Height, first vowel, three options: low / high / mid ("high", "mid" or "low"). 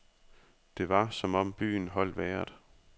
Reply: mid